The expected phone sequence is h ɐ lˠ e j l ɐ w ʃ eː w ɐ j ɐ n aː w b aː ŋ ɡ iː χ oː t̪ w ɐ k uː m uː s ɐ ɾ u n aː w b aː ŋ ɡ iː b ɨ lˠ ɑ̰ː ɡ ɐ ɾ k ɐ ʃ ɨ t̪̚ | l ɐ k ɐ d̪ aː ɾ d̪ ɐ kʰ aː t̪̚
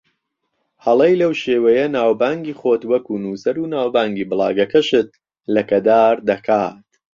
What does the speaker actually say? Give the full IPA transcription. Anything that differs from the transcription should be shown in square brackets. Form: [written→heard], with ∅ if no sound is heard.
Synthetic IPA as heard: h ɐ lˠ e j l ɐ w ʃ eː w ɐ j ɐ n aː w b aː ŋ ɡ iː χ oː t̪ w ɐ k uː [m→n] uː s ɐ ɾ u n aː w b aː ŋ ɡ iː b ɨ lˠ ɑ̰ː ɡ ɐ [ɾ→∅] k ɐ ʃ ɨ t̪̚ | l ɐ k ɐ d̪ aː ɾ d̪ ɐ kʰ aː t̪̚